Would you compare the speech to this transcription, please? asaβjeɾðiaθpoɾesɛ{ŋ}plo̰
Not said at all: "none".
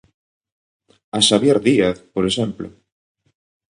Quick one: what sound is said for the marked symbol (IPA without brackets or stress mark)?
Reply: m